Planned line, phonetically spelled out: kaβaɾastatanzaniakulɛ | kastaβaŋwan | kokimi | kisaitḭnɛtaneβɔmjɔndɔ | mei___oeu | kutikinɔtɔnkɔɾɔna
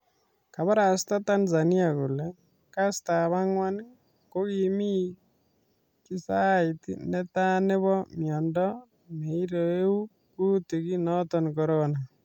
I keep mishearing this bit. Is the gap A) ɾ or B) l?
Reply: A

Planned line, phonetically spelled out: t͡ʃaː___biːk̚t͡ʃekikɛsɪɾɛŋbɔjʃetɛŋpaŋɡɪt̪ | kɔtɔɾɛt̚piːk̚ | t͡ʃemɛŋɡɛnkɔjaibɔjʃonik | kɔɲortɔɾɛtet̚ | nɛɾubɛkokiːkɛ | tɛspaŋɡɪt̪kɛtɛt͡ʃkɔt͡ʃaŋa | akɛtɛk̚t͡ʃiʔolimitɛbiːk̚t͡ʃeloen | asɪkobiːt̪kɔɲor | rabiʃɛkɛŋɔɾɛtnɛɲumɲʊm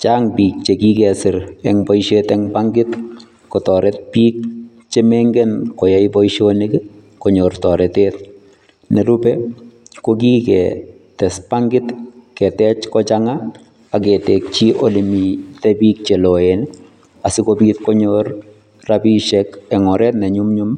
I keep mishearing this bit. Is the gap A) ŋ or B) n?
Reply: A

